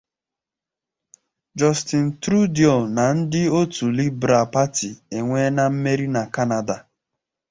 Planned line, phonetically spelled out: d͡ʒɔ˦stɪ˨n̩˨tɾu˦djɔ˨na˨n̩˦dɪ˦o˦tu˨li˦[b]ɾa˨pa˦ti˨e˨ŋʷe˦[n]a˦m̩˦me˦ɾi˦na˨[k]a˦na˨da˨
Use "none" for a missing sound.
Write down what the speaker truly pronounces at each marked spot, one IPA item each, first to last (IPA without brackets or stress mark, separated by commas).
b, n, k